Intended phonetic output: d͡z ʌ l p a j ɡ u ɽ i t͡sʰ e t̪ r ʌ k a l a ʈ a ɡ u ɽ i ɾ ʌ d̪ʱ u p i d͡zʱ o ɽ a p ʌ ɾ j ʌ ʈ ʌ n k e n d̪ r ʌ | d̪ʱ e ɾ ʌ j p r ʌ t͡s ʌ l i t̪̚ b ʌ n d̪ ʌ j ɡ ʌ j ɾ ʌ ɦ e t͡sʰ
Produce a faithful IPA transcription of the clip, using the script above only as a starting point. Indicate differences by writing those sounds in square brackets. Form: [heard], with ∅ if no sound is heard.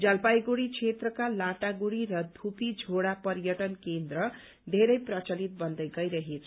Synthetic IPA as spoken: d͡z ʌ l p a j ɡ u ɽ i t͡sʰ e t̪ r ʌ k a l a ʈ a ɡ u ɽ i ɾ ʌ d̪ʱ u p i d͡zʱ o ɽ a p ʌ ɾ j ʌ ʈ ʌ n k e n d̪ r ʌ | d̪ʱ e ɾ ʌ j p r ʌ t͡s ʌ l i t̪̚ b ʌ n d̪ ʌ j ɡ ʌ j ɾ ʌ ɦ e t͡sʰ

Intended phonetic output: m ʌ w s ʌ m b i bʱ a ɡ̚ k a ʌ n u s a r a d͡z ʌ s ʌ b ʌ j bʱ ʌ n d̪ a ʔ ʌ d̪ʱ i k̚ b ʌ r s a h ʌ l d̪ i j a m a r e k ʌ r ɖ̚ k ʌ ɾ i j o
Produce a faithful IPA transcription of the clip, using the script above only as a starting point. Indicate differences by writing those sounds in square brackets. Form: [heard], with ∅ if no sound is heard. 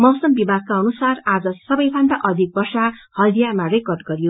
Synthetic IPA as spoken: m ʌ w s ʌ m b i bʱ a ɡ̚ k a ʌ n u s a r a d͡z ʌ s ʌ b ʌ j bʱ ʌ n d̪ a ʔ ʌ d̪ʱ i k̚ b ʌ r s a h ʌ l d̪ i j a m a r e k ʌ r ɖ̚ [ɡ] ʌ ɾ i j o

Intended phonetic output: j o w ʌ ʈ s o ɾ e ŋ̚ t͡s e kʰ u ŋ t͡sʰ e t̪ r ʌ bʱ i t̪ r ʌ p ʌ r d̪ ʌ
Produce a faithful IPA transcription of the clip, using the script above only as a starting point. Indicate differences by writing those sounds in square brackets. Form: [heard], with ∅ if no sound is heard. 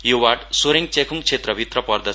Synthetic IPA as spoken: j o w [a] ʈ s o ɾ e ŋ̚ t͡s e kʰ u ŋ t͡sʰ e t̪ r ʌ bʱ i t̪ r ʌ p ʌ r d̪ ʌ

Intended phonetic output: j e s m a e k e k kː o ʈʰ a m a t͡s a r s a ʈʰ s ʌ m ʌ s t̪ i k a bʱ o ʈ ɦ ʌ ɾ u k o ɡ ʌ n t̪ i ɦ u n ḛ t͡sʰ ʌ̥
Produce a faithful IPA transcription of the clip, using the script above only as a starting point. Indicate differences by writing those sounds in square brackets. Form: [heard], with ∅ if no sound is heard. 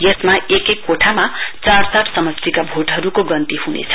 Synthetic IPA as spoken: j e s m a e k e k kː o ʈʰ a m a t͡s a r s a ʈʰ s ʌ m ʌ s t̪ i k a bʱ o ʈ ɦ ʌ ɾ u k o ɡ ʌ n t̪ i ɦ u n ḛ t͡sʰ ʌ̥

